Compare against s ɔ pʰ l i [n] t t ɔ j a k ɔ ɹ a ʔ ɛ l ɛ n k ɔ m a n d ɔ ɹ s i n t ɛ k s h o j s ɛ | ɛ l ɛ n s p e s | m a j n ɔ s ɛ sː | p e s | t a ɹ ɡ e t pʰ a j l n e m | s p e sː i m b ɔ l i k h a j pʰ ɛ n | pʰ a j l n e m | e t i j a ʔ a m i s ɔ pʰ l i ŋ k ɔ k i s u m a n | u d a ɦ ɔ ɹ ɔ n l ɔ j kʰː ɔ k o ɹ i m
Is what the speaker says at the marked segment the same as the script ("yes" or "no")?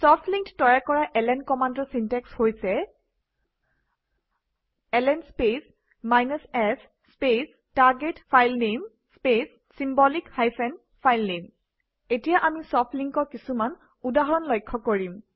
no